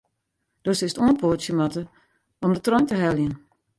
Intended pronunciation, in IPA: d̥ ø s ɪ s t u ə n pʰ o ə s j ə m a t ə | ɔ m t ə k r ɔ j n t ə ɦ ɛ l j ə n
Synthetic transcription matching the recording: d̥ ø s ɪ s t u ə n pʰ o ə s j ə m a t ə | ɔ m d ə t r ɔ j n t ə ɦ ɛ l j ə n